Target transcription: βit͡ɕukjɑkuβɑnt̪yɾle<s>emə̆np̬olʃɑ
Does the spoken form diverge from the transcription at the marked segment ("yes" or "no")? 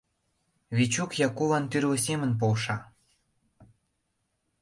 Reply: no